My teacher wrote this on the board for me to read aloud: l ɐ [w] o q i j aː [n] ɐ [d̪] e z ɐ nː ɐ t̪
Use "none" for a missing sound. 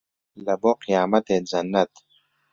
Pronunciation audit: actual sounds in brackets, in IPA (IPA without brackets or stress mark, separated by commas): b, m, t̪